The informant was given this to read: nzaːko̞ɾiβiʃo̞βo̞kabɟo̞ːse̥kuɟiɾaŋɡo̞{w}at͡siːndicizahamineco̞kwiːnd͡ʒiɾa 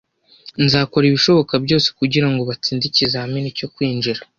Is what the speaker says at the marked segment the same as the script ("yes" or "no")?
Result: no